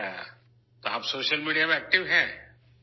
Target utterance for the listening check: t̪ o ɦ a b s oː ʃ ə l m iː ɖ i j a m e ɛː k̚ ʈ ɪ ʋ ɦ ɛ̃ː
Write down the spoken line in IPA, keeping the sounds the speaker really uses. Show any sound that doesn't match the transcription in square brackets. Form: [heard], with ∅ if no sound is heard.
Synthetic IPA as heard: t̪ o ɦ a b s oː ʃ ə l m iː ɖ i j a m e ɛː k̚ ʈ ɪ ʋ ɦ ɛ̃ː